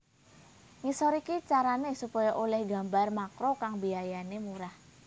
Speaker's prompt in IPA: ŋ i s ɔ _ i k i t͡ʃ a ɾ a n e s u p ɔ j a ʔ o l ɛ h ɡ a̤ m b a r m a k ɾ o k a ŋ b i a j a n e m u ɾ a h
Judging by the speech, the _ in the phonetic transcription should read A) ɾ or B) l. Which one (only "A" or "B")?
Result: A